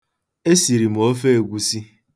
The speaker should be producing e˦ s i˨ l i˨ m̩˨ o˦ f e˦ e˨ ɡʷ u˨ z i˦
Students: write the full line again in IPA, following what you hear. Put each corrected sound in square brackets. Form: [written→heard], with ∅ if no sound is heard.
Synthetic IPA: e˦ s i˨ [l→ɾ] i˨ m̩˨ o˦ f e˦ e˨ ɡʷ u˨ [z→s] i˦